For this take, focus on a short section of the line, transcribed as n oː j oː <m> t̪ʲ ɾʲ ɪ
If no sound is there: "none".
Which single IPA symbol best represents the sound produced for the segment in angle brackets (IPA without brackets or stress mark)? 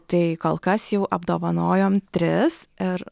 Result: m